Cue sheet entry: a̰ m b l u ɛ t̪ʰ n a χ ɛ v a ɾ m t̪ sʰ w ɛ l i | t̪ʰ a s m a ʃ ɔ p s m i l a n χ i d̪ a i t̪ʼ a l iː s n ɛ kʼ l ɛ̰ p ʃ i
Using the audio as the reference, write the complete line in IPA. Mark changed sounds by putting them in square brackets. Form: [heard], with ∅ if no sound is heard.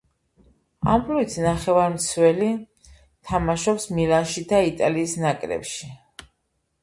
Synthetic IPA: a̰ m b l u [i] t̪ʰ n a χ ɛ v a ɾ m t̪ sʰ w ɛ l i | t̪ʰ a [∅] m a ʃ ɔ p s m i l a n [ʃ] i d̪ a i t̪ʼ a l iː s n [a] kʼ [ɾ] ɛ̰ p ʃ i